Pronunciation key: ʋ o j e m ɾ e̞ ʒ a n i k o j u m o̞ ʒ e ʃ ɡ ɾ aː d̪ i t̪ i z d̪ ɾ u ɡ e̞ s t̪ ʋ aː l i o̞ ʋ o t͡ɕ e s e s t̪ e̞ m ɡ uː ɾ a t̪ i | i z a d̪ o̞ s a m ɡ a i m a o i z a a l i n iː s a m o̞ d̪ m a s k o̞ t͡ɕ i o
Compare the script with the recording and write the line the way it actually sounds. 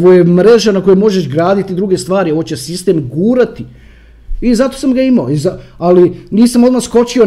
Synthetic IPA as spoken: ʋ o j e m ɾ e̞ ʒ a n a k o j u m o̞ ʒ e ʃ ɡ ɾ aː d̪ i t̪ i d̪ ɾ u ɡ e̞ s t̪ ʋ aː ɾ i o̞ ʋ o t͡ɕ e s i s t̪ e̞ m ɡ uː ɾ a t̪ i | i z a t̪ o̞ s a m ɡ a i m a o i z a a l i n iː s a m o̞ d̪ m a s k o̞ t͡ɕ i o